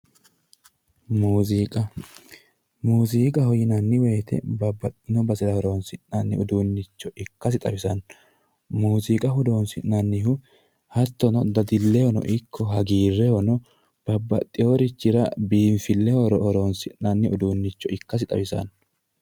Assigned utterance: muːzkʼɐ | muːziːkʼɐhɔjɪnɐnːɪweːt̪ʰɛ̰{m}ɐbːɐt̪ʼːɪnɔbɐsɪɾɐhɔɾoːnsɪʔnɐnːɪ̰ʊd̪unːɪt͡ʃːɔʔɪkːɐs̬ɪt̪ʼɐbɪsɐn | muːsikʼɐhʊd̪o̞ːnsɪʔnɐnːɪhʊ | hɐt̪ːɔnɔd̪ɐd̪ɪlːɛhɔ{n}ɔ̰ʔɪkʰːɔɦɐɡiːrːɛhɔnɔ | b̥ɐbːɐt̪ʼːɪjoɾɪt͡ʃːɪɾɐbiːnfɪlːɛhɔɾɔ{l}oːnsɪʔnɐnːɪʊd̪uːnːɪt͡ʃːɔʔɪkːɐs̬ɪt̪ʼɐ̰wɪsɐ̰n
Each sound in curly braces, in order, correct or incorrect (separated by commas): incorrect, correct, incorrect